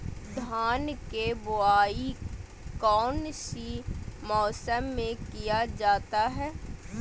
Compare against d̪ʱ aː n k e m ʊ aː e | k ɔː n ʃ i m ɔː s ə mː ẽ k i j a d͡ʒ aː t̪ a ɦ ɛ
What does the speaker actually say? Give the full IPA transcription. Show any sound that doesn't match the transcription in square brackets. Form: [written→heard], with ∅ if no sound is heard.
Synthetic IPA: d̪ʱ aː n k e [m→b] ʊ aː [e→i] | k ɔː n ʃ i m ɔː s ə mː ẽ k i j a d͡ʒ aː t̪ a ɦ [ɛ→ɛː]